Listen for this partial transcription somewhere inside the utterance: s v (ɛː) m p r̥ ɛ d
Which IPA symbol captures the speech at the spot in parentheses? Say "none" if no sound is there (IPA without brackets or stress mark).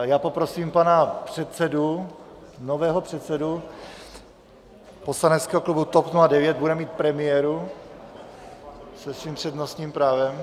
iː